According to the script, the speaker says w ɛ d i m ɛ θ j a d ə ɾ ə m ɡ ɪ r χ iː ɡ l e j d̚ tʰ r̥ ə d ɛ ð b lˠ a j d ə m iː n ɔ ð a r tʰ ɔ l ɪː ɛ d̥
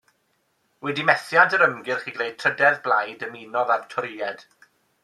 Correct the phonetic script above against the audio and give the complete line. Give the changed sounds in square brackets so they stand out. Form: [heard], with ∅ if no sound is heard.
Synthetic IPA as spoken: w ɛ d i m ɛ θ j a d ə ɾ ə m ɡ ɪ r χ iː ɡ l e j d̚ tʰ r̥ ə d ɛ ð b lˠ a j d ə m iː n ɔ ð a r tʰ ɔ [ɾ] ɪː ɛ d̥

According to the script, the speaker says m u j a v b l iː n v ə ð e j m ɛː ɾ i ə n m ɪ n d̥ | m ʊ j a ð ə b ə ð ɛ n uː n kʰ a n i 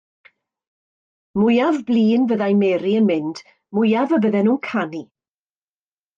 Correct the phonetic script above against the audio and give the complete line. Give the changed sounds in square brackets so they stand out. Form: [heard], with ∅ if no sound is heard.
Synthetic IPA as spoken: m [ʊ] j a v b l iː n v ə ð [a] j m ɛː ɾ i ə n m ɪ n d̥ | m ʊ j a [v] ə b ə ð ɛ n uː n kʰ a n i

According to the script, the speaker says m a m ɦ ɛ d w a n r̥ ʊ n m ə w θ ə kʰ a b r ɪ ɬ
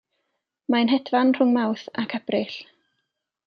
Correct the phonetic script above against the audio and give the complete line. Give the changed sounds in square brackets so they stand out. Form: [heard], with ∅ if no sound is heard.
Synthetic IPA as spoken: m a [n] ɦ ɛ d [v] a n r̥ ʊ [ŋ] m [a] w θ [a] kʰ a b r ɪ ɬ

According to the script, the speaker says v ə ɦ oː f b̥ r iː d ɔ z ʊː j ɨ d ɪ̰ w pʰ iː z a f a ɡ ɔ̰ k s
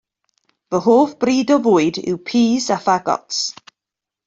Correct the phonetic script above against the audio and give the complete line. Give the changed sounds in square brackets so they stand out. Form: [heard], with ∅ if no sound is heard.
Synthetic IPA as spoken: v ə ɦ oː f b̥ r iː d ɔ [v] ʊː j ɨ d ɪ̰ w pʰ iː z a f a ɡ ɔ̰ [t] s

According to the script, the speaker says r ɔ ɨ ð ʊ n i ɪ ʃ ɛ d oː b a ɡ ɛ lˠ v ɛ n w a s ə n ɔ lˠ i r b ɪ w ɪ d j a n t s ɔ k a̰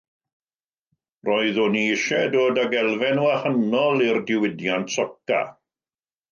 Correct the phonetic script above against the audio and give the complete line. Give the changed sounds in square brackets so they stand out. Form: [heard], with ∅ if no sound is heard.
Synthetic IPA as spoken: r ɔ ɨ ð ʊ n i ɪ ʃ ɛ d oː [d] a ɡ ɛ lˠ v ɛ n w a [h] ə n ɔ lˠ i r [d] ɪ w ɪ d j a n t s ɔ k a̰

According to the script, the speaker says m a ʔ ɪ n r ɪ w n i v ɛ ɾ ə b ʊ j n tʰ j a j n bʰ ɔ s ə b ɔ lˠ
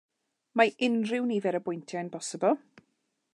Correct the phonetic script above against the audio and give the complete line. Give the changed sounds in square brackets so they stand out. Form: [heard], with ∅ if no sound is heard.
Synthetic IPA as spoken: m a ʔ ɪ n r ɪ w n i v ɛ ɾ ə b ʊ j n tʰ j a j n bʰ ɔ s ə b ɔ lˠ

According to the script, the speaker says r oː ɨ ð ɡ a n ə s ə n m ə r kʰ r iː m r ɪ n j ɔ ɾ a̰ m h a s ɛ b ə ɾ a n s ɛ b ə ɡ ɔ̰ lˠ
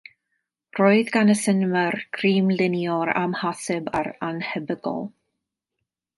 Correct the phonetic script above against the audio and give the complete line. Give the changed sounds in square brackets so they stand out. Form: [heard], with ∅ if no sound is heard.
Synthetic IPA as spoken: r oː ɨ ð ɡ a n ə s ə n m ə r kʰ r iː m [l] ɪ n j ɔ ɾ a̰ m h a s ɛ b [a] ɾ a n [h] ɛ b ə ɡ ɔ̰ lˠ

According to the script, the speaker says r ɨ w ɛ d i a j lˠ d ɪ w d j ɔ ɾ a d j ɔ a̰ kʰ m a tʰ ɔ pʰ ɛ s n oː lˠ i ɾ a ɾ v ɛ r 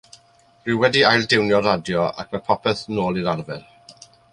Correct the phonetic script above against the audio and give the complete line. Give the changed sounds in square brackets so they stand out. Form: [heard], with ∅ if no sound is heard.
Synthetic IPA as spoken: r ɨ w ɛ d i a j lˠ d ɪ w [n] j ɔ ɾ a d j ɔ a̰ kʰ m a [pʰ] ɔ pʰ ɛ [θ] n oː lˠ i ɾ a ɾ v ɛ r

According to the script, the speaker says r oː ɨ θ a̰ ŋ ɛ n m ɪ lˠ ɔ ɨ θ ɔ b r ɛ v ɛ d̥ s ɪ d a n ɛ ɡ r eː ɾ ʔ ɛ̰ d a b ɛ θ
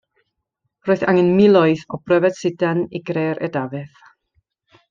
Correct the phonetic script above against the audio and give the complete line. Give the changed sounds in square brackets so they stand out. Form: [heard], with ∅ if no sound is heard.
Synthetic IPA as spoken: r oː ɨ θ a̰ ŋ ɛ n m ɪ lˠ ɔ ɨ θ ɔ b r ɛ v ɛ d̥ s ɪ d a n [i] ɡ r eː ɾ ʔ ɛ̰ d a [v] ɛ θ

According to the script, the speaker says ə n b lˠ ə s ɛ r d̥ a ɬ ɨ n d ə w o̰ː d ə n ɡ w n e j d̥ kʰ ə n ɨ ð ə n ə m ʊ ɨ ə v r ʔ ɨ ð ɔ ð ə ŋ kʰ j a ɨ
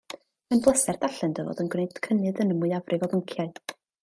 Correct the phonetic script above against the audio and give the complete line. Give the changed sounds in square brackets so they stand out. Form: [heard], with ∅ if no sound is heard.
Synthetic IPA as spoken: ə n b lˠ ə s ɛ r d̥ a ɬ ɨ n d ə [v] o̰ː d ə n ɡ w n e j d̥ kʰ ə n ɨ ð ə n ə m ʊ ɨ [a] v r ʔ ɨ [v] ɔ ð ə ŋ kʰ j a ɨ

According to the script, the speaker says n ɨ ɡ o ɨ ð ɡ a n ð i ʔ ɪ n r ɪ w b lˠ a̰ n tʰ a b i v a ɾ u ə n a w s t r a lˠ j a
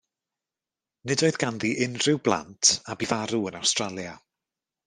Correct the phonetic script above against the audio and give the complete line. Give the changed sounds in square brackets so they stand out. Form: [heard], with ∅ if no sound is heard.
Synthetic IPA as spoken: n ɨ [d] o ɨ ð ɡ a n ð i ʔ ɪ n r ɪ w b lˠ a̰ n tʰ a b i v a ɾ u ə n a w s t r a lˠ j a

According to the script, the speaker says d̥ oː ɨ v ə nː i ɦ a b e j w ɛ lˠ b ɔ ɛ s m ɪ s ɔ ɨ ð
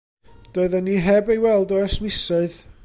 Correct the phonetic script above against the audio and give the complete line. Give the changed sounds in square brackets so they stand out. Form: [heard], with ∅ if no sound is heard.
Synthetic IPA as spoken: d̥ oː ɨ [ð] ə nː i ɦ [ɛ] b e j w ɛ lˠ [d] ɔ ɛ s m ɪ s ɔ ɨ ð

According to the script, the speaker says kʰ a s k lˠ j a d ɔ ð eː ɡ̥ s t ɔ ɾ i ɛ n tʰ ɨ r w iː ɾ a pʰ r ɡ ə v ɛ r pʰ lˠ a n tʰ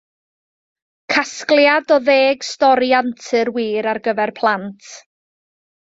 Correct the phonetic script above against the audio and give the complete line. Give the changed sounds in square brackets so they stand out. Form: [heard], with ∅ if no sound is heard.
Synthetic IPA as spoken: kʰ a s k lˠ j a d ɔ ð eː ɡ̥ s t ɔ ɾ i [a] n tʰ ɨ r w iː ɾ a [∅] r ɡ ə v ɛ r pʰ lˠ a n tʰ

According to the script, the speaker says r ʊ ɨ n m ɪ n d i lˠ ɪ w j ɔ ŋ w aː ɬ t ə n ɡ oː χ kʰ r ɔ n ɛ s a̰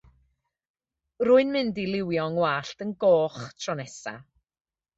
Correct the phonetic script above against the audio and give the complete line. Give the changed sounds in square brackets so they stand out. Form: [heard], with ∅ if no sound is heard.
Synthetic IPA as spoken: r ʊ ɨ n m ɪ n d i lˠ ɪ w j ɔ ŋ w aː ɬ t ə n ɡ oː χ [tʰ] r ɔ n ɛ s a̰

